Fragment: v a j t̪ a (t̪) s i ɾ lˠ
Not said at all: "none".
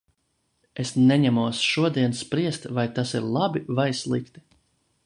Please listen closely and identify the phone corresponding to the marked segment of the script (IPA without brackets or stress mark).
none